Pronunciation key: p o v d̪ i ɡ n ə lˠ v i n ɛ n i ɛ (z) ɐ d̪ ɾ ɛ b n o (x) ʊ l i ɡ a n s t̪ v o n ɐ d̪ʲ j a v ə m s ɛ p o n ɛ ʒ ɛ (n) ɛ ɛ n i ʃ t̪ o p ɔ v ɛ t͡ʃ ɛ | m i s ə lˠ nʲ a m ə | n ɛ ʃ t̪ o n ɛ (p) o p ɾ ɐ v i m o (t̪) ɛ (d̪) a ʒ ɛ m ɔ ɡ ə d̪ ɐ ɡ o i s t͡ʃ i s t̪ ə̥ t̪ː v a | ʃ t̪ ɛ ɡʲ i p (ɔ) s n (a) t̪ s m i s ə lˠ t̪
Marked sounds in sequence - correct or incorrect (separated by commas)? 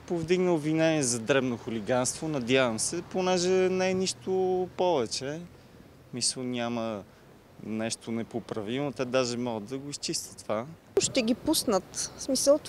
correct, correct, correct, correct, correct, correct, incorrect, incorrect